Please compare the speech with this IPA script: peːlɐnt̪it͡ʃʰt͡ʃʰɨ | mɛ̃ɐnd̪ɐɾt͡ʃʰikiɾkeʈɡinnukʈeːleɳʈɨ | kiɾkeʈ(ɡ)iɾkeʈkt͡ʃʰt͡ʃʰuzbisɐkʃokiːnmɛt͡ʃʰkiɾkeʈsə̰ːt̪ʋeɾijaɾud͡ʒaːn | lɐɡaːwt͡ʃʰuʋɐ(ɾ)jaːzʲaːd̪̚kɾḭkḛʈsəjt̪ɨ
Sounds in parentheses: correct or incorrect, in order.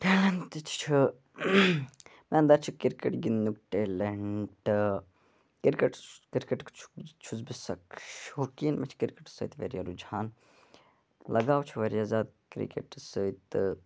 incorrect: k, correct

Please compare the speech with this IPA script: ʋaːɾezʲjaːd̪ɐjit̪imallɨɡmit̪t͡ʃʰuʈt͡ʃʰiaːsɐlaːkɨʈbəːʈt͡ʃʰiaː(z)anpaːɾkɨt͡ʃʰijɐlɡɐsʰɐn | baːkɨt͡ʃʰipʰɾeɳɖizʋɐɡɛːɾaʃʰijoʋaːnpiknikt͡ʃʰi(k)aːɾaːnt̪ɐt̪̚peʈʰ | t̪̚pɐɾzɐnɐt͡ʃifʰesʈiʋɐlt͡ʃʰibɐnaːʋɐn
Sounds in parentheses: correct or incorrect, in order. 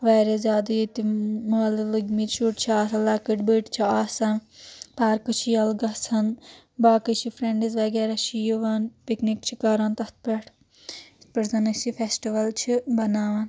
incorrect: s, correct

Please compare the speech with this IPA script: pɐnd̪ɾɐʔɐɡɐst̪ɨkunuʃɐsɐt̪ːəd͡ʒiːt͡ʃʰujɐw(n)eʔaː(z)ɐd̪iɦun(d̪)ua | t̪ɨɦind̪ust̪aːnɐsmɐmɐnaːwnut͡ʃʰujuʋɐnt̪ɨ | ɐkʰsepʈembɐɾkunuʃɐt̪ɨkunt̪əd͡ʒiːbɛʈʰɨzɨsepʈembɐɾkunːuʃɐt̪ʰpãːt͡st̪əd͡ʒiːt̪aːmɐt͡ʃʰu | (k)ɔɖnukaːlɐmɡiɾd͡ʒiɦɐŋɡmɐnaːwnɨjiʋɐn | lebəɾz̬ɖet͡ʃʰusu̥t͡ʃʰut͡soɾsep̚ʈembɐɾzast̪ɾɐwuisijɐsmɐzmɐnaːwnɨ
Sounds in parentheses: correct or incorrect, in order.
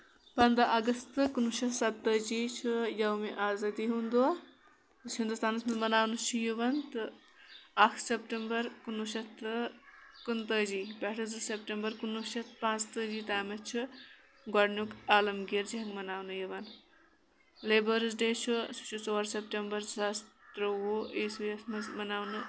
incorrect: m, correct, correct, incorrect: ɡ

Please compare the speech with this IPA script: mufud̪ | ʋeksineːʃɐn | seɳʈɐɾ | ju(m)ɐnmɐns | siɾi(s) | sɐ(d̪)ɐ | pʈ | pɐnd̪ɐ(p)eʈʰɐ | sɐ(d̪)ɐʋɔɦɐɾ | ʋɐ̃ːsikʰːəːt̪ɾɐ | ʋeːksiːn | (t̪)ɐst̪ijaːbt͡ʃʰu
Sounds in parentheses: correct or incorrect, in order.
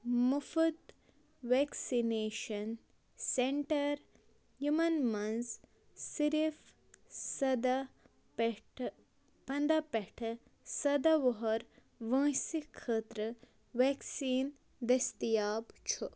correct, incorrect: f, correct, correct, correct, incorrect: d̪

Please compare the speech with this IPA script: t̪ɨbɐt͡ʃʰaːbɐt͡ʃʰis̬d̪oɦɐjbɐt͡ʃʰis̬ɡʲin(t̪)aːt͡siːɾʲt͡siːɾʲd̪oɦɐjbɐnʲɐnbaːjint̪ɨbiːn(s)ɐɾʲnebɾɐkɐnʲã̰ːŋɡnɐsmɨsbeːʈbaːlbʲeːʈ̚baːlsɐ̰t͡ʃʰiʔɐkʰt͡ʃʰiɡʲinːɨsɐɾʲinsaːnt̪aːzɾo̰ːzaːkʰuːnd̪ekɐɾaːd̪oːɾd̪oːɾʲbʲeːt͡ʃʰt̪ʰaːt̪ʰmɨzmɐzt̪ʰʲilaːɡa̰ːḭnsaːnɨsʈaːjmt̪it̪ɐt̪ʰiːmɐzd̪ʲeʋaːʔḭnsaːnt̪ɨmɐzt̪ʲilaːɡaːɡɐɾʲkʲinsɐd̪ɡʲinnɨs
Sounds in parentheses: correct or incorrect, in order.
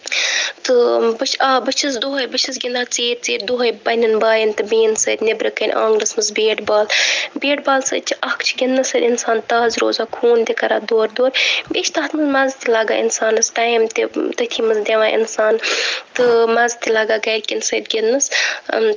incorrect: d̪, correct

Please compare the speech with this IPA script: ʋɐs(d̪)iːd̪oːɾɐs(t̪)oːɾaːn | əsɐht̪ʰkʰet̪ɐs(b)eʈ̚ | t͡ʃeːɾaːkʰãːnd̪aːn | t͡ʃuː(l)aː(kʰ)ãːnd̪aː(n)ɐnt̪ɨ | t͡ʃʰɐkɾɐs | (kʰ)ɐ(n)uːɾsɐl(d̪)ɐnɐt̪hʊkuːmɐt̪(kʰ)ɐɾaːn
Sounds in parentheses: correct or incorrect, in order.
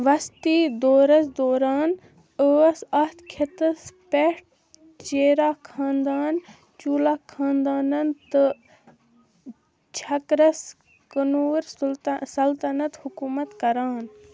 incorrect: t̪, incorrect: d̪, incorrect: p, correct, correct, correct, incorrect: k, correct, incorrect: t̪, incorrect: k

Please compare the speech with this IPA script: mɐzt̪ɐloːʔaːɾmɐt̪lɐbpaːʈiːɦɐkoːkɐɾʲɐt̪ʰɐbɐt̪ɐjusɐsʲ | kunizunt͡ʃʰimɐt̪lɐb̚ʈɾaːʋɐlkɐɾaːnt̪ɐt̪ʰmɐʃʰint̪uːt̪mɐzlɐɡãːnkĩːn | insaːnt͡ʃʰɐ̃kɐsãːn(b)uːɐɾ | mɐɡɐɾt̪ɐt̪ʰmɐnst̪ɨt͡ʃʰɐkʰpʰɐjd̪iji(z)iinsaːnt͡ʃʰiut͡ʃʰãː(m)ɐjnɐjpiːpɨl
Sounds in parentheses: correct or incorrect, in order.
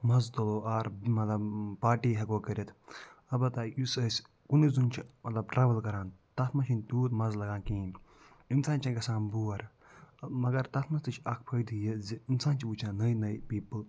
correct, correct, incorrect: n

